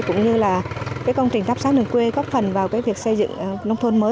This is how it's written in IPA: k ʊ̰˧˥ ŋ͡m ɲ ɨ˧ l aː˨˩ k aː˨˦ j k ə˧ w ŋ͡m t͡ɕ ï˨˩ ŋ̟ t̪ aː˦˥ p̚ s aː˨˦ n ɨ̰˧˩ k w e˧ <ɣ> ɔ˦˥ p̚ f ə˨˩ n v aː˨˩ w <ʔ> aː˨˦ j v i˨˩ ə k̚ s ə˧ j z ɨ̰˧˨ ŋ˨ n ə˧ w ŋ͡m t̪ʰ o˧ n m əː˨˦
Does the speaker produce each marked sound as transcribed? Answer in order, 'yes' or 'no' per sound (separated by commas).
yes, no